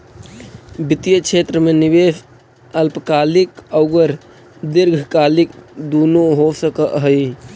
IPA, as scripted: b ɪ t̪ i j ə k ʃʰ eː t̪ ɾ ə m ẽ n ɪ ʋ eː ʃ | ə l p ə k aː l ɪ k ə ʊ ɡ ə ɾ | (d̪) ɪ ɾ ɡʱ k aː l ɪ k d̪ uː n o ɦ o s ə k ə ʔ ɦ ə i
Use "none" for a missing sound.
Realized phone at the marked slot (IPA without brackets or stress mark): d̪